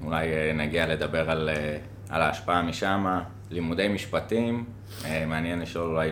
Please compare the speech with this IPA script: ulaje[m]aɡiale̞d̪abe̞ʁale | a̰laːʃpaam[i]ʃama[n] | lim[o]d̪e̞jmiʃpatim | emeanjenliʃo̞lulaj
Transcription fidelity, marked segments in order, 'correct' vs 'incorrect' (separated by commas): incorrect, correct, incorrect, incorrect